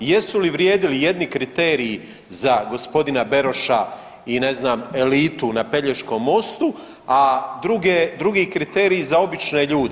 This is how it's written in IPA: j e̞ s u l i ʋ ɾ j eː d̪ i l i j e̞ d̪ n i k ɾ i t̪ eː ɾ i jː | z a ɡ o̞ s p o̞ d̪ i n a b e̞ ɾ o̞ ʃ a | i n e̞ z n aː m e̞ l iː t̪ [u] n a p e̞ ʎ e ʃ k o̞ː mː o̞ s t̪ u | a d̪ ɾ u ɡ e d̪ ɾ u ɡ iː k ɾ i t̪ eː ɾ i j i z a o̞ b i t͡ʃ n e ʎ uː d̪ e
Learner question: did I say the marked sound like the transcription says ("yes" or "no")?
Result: yes